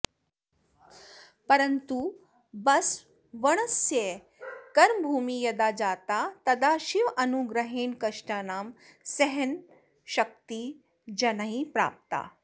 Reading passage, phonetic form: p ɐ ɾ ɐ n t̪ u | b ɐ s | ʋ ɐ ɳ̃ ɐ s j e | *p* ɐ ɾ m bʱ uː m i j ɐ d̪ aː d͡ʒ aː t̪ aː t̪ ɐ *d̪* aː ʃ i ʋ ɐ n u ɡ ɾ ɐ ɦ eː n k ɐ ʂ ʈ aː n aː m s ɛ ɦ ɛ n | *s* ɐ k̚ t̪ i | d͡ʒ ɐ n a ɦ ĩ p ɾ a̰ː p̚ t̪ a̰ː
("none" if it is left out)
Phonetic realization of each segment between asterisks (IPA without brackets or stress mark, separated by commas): k, d̪, ʃ